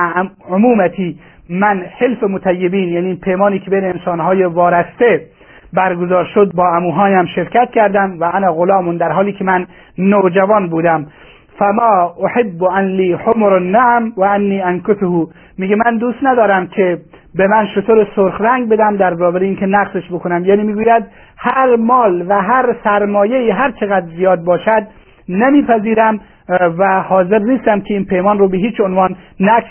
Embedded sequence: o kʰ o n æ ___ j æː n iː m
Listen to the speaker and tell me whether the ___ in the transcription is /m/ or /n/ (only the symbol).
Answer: m